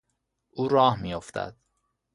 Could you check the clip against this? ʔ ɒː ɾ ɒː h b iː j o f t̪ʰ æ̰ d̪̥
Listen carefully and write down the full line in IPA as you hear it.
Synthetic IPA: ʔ uː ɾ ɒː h m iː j o f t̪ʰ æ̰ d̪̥